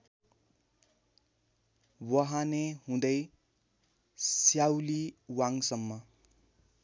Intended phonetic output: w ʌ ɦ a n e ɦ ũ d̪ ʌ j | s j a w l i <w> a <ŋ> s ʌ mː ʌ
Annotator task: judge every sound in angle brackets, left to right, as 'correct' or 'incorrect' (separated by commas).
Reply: correct, correct